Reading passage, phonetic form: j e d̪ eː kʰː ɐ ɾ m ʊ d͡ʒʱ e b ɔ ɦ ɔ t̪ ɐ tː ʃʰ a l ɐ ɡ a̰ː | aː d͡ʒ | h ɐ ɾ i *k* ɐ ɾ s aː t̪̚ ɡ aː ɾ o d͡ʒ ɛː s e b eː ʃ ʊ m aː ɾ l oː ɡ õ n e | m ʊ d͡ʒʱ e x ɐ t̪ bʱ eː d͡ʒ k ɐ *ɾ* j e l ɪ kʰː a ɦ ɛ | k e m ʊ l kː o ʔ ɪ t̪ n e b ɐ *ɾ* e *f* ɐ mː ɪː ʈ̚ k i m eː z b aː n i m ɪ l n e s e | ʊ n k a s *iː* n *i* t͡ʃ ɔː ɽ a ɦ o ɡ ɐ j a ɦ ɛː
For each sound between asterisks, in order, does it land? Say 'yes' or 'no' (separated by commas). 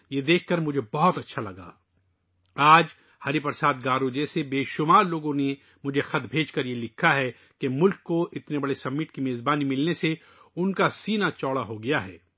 no, yes, no, no, yes, no